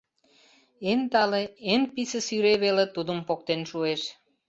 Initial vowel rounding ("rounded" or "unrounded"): unrounded